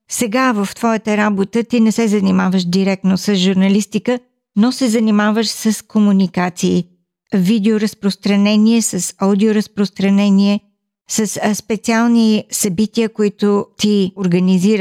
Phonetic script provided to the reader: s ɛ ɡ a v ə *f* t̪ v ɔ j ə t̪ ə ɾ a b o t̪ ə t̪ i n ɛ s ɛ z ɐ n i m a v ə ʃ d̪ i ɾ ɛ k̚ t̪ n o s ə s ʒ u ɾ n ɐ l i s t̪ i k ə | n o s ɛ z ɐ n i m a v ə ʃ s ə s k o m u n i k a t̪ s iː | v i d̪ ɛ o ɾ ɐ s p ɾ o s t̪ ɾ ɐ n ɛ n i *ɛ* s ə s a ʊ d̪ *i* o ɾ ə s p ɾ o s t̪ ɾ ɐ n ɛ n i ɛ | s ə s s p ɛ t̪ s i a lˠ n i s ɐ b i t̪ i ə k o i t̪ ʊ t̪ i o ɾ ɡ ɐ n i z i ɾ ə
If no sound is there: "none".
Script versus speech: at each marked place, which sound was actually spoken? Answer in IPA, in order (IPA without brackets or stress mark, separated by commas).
f, ɛ, i